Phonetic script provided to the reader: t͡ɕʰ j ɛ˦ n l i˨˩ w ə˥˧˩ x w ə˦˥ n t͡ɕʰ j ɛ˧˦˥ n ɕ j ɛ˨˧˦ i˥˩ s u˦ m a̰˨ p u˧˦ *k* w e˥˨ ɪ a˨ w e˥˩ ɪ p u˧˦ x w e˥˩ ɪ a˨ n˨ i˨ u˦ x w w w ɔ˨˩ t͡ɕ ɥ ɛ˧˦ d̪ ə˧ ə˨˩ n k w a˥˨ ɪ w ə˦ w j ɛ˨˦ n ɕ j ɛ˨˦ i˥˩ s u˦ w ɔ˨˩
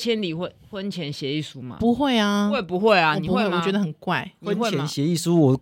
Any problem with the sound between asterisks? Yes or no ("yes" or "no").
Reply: yes